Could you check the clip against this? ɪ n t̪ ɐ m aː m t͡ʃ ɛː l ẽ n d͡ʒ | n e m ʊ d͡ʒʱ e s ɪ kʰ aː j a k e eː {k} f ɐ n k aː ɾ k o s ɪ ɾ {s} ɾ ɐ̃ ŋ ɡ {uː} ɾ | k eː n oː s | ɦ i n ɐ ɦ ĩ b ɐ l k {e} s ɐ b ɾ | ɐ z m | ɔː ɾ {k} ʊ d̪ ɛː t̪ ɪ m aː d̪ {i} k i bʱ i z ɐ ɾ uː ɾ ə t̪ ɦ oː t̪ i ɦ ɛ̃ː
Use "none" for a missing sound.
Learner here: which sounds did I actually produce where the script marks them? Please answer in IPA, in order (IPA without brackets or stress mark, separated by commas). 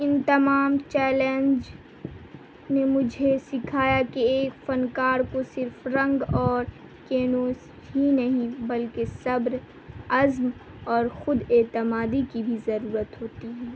k, f, ɔː, e, x, i